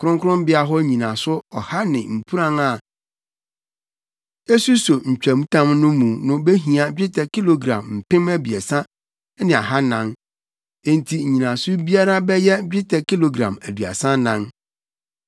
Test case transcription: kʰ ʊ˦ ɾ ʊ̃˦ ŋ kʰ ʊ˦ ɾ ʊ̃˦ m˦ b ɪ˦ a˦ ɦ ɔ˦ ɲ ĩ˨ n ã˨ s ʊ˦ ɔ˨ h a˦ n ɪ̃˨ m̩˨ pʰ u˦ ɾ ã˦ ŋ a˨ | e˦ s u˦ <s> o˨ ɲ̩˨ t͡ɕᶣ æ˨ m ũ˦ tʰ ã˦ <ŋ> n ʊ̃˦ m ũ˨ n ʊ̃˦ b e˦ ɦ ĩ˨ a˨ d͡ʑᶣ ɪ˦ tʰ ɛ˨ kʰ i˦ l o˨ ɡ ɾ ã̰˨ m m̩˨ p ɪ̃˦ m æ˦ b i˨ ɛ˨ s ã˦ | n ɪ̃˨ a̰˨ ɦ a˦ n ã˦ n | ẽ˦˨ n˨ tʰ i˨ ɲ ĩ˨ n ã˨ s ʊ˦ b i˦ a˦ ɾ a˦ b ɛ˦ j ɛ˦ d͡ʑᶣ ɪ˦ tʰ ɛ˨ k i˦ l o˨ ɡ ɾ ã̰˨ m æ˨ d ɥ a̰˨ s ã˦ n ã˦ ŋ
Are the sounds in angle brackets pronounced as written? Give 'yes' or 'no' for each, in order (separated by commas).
yes, no